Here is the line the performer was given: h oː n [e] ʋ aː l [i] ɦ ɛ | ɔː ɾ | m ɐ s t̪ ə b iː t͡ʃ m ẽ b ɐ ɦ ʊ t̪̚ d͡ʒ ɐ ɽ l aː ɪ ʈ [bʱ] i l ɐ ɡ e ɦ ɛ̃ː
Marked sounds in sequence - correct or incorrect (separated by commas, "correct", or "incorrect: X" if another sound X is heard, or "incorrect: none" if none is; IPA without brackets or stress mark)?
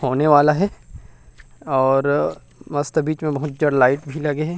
correct, incorrect: a, correct